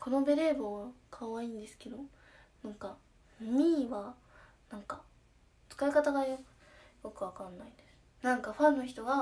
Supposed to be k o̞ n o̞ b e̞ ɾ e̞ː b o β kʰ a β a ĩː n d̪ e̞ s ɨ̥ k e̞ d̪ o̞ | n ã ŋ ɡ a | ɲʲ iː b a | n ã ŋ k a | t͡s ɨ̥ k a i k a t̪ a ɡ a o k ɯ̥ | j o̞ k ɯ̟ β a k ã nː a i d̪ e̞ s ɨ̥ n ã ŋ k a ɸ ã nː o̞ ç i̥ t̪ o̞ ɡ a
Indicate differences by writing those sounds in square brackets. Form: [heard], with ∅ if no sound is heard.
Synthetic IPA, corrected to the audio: k o̞ n o̞ b e̞ ɾ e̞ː b o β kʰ a β a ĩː n d̪ e̞ s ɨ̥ k e̞ d̪ o̞ | n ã ŋ [k] a | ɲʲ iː [β] a | n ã ŋ k a | t͡s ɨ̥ k a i k a t̪ a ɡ a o k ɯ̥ | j o̞ k ɯ̟ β a k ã nː a i d̪ e̞ s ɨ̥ n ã ŋ k a ɸ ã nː o̞ ç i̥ t̪ o̞ ɡ a